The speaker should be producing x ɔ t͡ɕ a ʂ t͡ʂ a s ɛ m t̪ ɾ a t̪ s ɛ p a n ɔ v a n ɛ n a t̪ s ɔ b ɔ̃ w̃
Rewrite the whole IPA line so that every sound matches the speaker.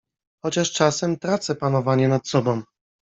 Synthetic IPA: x ɔ t͡ɕ a ʂ t͡ʂ a s ɛ m t̪ ɾ a t̪ s ɛ p a n ɔ v a ɲ ɛ n a t̪ s ɔ b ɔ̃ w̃

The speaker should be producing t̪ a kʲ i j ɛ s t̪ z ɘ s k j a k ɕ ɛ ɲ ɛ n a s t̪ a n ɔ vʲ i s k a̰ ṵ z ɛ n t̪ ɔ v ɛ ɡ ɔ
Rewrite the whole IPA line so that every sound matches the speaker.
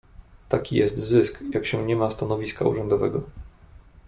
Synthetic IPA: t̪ a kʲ i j ɛ s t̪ z ɘ s k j a k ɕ ɛ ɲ ɛ m a s t̪ a n ɔ vʲ i s k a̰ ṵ ʐ ɛ n d̪ ɔ v ɛ ɡ ɔ

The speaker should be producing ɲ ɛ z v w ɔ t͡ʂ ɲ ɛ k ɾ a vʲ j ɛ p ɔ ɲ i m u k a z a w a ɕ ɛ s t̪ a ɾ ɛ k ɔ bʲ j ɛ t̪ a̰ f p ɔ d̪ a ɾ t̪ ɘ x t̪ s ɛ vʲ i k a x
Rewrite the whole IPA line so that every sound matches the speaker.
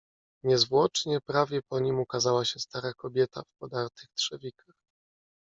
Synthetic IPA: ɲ ɛ z v w ɔ t͡ʂ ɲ ɛ p ɾ a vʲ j ɛ p ɔ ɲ i m u k a z a w a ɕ ɛ s t̪ a ɾ a k ɔ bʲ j ɛ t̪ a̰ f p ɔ d̪ a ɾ t̪ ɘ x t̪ ʂ ɛ vʲ i k a x

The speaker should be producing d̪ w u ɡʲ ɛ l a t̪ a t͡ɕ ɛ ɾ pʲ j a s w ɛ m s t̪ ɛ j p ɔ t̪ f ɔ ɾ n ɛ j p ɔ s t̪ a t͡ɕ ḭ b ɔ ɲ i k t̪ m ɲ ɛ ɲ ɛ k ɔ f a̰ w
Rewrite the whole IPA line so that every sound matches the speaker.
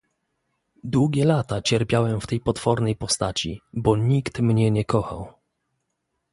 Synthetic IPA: d̪ w u ɡʲ ɛ l a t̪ a t͡ɕ ɛ ɾ pʲ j a w ɛ m f t̪ ɛ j p ɔ t̪ f ɔ ɾ n ɛ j p ɔ s t̪ a t͡ɕ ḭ b ɔ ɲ i k t̪ m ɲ ɛ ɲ ɛ k ɔ x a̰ w

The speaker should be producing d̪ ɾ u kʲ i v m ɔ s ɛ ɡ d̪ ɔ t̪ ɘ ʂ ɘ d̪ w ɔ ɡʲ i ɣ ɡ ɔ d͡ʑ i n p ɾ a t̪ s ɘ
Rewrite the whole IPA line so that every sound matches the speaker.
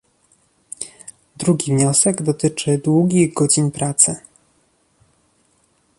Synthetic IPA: d̪ ɾ u ɡʲ i v ɲ ɔ s ɛ ɡ d̪ ɔ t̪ ɘ t͡ʂ ɘ d̪ w u ɡʲ i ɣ ɡ ɔ d͡ʑ i n p ɾ a t̪ s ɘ

